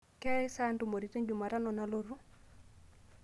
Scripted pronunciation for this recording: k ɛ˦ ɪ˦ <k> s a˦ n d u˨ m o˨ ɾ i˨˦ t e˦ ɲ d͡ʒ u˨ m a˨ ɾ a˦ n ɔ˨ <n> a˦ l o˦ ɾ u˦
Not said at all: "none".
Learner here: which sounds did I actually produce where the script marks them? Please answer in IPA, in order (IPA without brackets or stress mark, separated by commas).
none, n